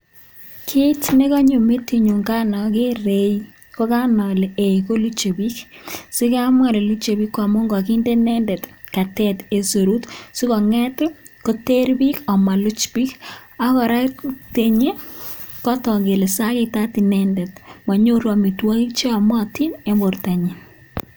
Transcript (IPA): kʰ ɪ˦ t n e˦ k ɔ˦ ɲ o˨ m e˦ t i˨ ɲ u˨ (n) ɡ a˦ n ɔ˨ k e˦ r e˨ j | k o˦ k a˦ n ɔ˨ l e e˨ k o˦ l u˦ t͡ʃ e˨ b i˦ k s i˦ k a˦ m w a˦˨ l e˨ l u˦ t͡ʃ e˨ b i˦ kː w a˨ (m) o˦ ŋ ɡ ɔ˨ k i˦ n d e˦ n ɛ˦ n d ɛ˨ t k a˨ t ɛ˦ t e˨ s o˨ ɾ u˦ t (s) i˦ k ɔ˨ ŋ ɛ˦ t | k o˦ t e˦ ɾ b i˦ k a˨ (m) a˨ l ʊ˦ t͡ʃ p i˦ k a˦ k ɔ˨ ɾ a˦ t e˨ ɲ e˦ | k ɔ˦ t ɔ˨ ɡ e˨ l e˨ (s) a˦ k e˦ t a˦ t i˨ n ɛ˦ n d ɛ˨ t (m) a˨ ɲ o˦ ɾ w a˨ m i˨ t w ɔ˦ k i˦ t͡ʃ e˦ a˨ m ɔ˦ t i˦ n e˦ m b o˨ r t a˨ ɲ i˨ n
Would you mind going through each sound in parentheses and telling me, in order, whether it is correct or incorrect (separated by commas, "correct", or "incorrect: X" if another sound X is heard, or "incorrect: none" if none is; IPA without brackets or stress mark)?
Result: incorrect: ŋ, correct, correct, correct, correct, correct